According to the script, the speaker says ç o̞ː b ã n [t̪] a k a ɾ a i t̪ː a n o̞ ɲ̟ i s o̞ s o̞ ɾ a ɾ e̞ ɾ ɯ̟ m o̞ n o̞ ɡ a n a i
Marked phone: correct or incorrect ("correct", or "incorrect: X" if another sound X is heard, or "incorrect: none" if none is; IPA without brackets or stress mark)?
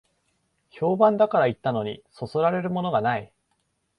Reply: incorrect: d̪